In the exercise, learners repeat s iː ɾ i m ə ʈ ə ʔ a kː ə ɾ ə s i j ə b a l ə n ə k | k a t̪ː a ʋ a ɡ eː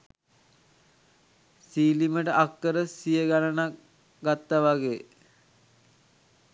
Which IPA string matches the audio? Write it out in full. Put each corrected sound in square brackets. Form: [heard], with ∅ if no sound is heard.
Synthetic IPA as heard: s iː [l] i m ə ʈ ə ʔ a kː ə ɾ ə s i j ə [ɡ] a l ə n [a] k | [ɡ] a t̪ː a ʋ a ɡ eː